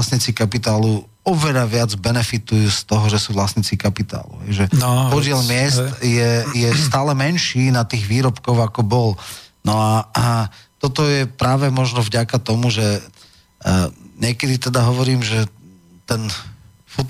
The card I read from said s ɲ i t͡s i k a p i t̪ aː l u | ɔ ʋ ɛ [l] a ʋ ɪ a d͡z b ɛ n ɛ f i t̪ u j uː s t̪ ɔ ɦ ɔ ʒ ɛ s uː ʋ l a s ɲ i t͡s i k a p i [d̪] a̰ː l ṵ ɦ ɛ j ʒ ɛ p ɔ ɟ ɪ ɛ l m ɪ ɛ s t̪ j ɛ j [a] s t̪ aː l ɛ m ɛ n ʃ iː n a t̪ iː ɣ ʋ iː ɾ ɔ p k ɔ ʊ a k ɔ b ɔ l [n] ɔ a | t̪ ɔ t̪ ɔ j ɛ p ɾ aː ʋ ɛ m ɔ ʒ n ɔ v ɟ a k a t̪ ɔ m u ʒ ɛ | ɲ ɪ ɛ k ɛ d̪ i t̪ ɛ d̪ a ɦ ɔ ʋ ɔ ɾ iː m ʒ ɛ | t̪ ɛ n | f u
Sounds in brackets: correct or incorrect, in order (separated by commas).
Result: incorrect, incorrect, incorrect, correct